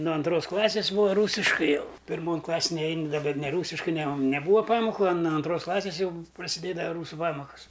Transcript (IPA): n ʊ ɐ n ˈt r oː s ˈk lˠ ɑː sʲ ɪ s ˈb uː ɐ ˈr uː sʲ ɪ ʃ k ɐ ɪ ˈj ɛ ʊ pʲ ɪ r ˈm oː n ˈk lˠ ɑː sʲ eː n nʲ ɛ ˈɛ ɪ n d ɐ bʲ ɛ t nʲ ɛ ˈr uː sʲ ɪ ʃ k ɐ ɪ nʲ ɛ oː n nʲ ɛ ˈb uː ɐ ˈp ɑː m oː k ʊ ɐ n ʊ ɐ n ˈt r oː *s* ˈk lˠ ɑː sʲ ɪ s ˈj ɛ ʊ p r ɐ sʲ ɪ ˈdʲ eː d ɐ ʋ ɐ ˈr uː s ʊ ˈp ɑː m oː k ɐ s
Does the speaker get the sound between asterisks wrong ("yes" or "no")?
no